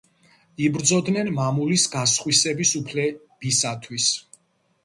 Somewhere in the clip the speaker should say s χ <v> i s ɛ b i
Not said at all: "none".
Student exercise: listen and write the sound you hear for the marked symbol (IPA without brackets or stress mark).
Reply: w